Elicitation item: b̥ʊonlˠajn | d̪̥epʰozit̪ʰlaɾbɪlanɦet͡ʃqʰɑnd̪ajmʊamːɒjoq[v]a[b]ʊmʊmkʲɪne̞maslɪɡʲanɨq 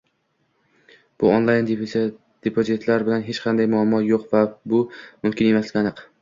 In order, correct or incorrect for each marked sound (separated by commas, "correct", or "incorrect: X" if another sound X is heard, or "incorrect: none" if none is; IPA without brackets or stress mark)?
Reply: correct, correct